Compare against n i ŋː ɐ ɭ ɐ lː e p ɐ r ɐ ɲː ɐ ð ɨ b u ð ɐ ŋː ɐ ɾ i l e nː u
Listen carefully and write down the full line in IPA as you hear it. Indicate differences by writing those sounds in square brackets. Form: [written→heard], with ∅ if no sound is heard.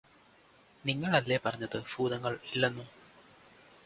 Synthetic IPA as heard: n i ŋː ɐ ɭ ɐ lː e p ɐ r ɐ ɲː ɐ ð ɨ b [u→uː] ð ɐ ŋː ɐ [ɾ→ɭ] i [l→lː] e nː u